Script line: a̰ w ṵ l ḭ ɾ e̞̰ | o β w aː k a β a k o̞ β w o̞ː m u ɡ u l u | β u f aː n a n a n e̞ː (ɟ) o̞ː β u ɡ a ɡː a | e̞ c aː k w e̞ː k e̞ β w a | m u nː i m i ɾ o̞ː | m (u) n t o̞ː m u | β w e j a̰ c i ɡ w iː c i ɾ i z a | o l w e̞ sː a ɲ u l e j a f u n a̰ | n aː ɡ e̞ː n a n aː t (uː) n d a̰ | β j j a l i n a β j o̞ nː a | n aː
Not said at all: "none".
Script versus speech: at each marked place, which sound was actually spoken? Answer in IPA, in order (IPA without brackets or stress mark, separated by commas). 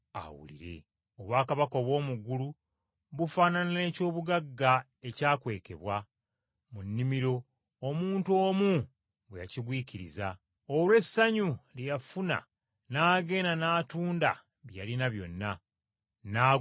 c, uː, uː